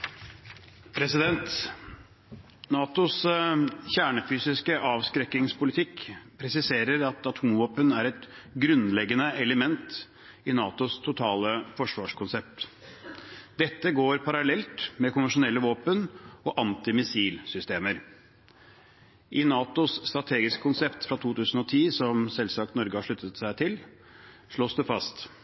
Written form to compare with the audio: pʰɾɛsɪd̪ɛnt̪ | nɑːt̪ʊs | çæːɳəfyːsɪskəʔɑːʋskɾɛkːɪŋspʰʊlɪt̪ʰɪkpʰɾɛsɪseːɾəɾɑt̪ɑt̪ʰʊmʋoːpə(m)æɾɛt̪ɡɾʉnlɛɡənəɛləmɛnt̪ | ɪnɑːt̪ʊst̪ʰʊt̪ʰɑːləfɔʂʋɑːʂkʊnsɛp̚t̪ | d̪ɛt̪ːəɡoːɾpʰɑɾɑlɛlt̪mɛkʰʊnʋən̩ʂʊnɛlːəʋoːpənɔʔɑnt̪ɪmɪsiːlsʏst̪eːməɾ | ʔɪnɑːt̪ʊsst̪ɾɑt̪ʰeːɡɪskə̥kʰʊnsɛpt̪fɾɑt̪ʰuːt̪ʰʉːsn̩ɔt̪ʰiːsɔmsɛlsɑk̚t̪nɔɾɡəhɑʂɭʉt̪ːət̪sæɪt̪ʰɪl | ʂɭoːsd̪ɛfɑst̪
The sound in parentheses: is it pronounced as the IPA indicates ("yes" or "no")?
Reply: no